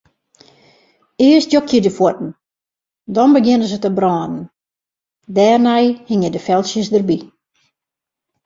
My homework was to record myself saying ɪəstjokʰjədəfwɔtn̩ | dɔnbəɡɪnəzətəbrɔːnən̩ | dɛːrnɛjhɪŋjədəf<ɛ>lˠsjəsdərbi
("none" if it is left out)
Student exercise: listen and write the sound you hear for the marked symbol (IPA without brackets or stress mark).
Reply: ɛ